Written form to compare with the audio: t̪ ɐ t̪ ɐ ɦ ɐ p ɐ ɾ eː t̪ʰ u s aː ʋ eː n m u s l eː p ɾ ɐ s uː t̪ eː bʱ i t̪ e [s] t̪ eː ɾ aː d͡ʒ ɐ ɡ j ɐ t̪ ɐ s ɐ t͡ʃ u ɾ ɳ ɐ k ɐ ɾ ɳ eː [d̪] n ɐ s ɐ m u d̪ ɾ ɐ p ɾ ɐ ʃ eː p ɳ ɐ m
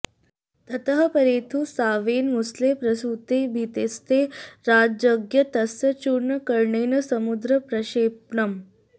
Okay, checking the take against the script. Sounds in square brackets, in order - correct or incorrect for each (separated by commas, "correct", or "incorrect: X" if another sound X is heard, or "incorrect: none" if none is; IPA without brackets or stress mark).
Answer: correct, incorrect: none